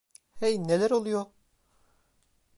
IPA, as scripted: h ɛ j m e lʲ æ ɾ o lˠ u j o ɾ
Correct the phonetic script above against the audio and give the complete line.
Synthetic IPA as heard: h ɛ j n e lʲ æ ɾ o lˠ u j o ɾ